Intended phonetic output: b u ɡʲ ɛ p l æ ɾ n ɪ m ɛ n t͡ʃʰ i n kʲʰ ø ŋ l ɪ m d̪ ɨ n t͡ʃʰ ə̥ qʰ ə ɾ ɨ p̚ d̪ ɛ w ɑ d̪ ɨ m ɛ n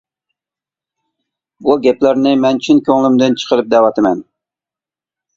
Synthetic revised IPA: b u ɡʲ ɛ p l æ ɾ n ɪ m ɛ n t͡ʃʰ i n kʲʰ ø ŋ l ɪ m d̪ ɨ n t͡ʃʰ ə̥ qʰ ə ɾ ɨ p̚ d̪ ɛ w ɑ t̪ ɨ m ɛ n